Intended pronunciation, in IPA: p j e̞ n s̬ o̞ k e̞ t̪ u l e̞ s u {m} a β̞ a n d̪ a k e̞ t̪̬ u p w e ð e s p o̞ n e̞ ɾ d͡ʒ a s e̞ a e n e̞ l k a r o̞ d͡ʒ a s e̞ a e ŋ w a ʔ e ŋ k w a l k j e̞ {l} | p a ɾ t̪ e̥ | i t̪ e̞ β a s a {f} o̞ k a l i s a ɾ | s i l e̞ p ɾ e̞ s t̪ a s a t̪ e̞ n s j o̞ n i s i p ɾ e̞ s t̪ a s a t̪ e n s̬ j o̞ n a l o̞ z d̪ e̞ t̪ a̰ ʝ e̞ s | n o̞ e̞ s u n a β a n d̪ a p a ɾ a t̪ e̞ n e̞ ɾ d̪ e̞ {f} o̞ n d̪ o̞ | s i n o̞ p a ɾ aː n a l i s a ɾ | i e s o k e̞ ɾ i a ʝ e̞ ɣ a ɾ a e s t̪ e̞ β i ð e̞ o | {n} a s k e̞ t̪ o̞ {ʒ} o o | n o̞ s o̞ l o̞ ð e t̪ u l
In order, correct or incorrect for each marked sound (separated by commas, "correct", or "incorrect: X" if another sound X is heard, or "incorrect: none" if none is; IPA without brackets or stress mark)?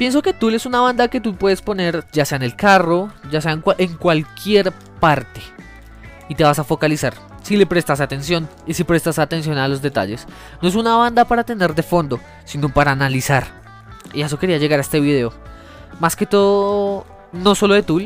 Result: incorrect: n, incorrect: ɾ, correct, correct, incorrect: m, incorrect: ð